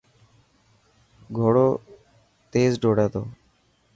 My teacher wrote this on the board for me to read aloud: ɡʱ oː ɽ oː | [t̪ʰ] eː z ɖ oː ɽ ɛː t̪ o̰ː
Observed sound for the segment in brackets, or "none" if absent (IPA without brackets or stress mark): t̪